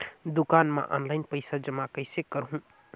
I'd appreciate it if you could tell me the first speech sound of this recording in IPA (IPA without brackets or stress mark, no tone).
d̪